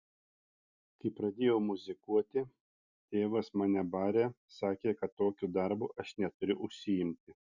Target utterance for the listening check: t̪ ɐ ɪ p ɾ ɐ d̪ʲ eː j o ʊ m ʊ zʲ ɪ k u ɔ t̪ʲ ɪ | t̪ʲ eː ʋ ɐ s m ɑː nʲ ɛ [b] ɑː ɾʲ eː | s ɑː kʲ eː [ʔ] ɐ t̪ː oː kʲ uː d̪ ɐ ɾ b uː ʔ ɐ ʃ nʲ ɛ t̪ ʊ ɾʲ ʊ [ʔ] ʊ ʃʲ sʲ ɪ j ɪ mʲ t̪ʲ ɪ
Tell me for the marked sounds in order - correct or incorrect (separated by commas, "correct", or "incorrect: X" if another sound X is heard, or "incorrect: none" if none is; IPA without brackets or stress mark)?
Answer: correct, incorrect: k, correct